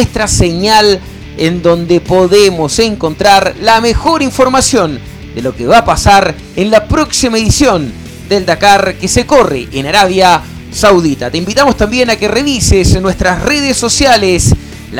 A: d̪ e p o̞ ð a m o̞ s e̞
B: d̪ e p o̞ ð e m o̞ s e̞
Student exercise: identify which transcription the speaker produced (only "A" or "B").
B